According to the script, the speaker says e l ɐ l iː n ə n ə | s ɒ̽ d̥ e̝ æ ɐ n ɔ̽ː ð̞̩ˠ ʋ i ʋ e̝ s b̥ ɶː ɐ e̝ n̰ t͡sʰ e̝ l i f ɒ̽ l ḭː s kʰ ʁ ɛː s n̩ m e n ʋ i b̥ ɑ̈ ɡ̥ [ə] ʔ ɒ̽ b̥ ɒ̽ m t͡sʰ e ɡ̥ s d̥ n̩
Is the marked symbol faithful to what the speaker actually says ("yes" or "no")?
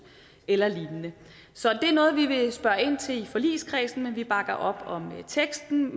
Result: no